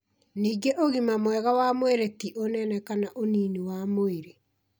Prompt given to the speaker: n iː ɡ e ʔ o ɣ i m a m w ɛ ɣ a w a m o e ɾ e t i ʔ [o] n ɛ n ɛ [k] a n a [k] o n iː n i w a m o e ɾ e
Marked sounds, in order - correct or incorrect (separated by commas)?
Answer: correct, correct, incorrect